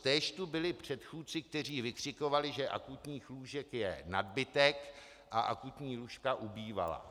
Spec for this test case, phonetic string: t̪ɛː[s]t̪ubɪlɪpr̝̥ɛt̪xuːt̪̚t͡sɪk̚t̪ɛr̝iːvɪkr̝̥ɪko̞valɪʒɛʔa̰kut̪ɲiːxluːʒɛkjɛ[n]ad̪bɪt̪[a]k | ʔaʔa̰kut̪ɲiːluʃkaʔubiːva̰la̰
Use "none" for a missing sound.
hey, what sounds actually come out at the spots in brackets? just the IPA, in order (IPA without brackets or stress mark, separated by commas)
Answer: ʃ, n, ɛ